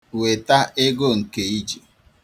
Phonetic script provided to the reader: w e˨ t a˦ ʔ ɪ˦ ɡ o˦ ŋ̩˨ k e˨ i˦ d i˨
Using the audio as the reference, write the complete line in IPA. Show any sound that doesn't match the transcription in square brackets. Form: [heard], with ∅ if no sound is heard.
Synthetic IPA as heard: w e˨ t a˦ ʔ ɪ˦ ɡ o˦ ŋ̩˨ k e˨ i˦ [d͡ʒ] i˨